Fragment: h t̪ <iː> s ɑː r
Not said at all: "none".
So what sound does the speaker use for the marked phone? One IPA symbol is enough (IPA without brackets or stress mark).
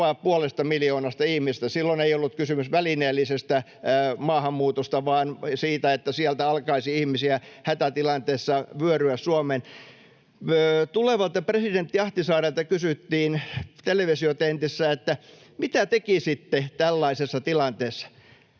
i